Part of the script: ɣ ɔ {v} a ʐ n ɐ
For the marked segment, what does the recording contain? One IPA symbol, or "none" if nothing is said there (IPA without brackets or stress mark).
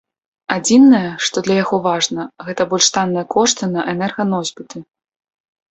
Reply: v